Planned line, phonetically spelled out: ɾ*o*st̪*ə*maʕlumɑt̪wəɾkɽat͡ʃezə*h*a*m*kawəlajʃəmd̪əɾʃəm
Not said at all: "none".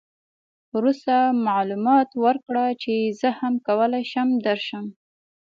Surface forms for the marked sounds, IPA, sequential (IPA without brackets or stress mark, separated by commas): u, a, h, m